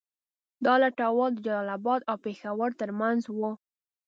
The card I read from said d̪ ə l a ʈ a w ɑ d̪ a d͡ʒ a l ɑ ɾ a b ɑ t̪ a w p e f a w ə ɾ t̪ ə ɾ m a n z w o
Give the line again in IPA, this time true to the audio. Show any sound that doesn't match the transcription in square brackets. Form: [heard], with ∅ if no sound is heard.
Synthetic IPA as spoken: d̪ [ɑ] l a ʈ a w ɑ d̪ [ə] d͡ʒ a l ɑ [l] a b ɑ [d̪] a w p e [x] a w ə ɾ t̪ ə ɾ m a n z w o

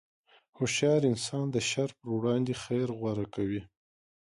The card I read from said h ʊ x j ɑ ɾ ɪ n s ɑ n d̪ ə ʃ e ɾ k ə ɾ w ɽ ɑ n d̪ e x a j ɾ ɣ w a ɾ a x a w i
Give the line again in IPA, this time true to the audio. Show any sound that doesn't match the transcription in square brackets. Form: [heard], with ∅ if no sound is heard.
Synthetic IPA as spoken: h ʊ [ʃ] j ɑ ɾ ɪ n s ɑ n d̪ ə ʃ [a] ɾ [p] ə ɾ w ɽ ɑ n d̪ e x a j ɾ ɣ w a ɾ a [k] a w i

